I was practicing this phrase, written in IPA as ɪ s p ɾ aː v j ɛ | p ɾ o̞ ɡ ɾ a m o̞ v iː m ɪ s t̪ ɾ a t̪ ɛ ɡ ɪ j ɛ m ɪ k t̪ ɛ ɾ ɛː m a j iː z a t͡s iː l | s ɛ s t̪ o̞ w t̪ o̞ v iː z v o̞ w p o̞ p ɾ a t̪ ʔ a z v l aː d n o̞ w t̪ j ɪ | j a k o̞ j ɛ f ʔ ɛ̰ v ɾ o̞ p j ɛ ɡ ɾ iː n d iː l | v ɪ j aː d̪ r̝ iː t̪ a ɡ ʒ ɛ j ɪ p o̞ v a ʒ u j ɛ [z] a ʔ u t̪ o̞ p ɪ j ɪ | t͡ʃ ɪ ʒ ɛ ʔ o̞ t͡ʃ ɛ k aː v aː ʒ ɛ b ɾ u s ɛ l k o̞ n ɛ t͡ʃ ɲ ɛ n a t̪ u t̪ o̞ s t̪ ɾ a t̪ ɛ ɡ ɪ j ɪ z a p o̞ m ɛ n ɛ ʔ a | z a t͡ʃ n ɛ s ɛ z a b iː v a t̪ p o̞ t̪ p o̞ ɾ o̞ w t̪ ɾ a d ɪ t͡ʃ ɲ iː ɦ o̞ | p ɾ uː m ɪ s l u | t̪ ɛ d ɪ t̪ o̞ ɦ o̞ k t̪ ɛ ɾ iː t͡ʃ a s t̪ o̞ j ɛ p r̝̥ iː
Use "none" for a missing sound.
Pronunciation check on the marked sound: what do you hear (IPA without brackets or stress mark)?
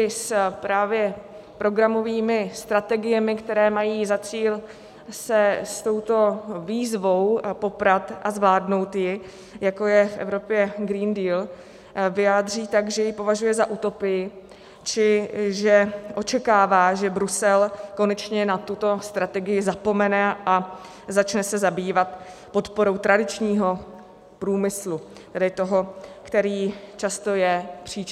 z